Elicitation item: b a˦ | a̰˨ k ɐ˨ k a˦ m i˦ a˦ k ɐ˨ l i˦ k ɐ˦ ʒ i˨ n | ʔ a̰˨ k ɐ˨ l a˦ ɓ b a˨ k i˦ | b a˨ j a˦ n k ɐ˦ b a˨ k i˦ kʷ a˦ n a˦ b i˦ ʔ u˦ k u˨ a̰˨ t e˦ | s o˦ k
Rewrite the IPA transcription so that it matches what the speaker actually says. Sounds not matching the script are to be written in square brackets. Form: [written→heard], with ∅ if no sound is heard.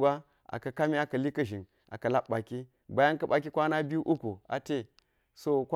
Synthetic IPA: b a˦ | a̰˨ k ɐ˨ k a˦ m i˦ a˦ k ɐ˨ l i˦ k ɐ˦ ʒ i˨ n | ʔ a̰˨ k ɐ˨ l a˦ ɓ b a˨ k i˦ | b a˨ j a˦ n k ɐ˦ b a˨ k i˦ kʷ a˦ n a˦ b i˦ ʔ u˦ k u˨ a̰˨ t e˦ | s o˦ k